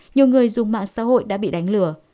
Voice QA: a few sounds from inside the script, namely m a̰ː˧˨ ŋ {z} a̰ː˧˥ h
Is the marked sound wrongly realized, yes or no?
yes